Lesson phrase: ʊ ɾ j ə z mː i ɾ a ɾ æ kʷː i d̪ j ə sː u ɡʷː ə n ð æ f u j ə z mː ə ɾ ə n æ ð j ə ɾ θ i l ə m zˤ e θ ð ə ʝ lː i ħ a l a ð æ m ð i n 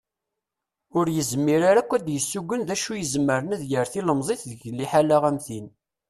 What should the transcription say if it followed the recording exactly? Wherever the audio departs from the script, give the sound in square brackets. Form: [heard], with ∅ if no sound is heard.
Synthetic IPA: ʊ ɾ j ə z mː i ɾ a ɾ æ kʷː [æ] d̪ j ə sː u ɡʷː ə n ð æ [ʃ] u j ə z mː ə ɾ ə n æ ð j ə ɾ θ i l ə m zˤ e θ ð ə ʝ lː i ħ a l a [ʁ] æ m [θ] i n